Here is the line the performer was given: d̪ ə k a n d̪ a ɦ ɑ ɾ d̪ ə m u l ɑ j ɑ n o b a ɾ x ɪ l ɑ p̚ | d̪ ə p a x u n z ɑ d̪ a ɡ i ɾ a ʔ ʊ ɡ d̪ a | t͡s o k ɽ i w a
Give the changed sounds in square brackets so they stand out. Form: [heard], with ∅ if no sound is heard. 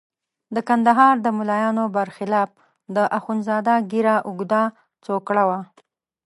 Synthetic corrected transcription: d̪ ə k a n d̪ a ɦ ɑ ɾ d̪ ə m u l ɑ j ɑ n o b a ɾ x ɪ l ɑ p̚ | d̪ ə [ʔ] a x u n z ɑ d̪ a ɡ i ɾ a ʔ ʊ ɡ d̪ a | t͡s o k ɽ [a] w a